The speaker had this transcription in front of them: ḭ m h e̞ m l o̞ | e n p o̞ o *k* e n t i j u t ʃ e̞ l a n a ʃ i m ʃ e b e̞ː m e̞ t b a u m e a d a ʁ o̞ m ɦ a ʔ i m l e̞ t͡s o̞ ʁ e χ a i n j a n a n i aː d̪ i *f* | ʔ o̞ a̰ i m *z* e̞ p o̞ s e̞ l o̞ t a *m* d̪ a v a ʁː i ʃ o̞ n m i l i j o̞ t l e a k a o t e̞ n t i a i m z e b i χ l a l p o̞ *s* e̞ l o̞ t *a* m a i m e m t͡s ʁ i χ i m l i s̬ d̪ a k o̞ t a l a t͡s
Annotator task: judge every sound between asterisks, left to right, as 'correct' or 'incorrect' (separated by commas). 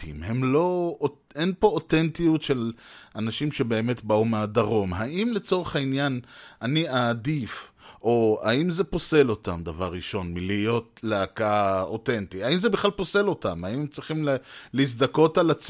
incorrect, correct, correct, correct, correct, correct